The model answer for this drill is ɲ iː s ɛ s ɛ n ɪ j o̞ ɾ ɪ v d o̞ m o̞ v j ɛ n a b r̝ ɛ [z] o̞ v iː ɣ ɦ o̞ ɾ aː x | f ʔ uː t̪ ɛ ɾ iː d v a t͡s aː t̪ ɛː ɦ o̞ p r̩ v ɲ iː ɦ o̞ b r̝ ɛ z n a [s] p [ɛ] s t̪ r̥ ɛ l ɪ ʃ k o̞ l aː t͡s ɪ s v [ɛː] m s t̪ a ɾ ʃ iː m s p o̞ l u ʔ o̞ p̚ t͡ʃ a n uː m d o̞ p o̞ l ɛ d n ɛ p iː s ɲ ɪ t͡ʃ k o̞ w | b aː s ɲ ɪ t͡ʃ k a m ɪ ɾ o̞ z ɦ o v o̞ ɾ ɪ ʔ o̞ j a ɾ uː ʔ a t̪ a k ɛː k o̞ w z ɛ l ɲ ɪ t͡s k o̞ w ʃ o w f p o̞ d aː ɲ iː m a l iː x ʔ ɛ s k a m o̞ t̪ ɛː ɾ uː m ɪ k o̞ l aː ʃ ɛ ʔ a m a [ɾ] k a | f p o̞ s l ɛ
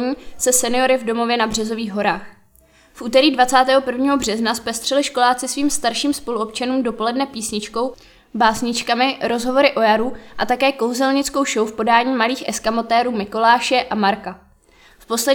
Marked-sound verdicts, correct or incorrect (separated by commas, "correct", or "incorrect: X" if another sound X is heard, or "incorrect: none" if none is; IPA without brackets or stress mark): correct, correct, correct, incorrect: iː, correct